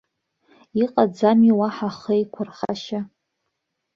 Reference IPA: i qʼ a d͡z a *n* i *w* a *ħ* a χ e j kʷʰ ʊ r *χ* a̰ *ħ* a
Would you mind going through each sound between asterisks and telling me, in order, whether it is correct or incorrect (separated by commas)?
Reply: incorrect, correct, correct, correct, incorrect